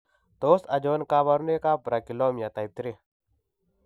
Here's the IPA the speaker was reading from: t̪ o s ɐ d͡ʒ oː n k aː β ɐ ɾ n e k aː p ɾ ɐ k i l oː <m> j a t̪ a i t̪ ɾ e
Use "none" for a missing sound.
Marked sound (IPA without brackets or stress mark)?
m